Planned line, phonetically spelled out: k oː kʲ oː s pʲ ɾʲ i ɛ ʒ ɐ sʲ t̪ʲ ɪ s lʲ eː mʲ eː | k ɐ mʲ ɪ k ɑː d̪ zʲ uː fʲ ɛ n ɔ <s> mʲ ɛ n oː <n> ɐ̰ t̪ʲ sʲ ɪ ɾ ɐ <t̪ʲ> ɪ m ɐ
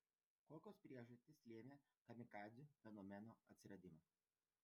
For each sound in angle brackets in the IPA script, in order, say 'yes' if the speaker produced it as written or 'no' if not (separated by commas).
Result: no, no, no